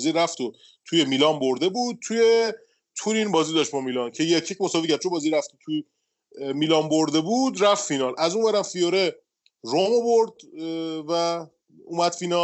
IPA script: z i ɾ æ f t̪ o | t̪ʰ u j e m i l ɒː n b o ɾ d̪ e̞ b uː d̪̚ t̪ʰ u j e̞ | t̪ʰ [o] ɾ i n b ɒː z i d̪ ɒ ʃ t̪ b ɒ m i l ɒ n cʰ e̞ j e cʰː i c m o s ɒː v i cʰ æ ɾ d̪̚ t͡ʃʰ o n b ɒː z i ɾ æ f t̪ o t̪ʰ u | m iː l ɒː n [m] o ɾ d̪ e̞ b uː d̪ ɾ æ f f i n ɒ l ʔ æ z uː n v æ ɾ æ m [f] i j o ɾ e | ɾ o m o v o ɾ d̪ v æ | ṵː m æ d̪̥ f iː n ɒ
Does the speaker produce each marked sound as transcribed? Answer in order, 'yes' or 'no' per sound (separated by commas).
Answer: no, no, yes